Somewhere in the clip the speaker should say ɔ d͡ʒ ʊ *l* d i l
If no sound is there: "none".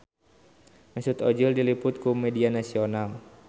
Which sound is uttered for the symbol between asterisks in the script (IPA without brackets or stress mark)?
l